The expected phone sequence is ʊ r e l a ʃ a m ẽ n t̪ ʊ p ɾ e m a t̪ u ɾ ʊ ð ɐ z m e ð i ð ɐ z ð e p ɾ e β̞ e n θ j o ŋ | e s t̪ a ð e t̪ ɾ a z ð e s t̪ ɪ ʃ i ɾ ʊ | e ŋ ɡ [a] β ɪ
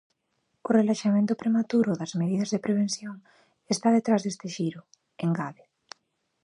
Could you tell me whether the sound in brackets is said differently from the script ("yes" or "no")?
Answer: no